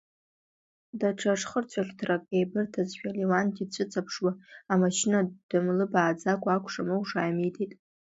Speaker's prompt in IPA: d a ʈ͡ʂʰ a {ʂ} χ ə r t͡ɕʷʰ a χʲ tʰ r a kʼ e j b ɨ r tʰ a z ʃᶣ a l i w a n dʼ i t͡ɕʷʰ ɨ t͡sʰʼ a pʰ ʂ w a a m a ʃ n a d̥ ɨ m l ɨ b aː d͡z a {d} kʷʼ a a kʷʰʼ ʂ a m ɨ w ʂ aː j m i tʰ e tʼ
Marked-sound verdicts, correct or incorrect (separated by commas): correct, incorrect